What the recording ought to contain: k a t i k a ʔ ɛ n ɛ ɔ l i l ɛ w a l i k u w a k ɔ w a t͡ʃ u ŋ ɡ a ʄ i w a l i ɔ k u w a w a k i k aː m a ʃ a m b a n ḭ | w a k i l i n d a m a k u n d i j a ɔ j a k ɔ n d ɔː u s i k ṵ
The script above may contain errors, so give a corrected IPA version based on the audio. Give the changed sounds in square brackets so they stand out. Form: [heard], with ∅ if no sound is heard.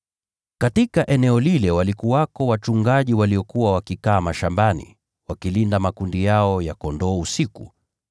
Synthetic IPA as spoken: k a t i k a ʔ ɛ n ɛ ɔ l i l ɛ w a l i k u w a k ɔ w a t͡ʃ u ŋ ɡ a ʄ i w a l i ɔ k u w a w a k i k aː m a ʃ a m b a n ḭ | w a k i l i n d a m a k u n d i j a ɔ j a k ɔ n d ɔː u s i k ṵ